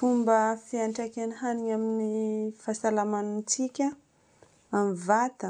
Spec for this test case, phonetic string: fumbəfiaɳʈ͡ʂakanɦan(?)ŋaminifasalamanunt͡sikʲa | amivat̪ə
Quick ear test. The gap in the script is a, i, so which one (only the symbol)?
i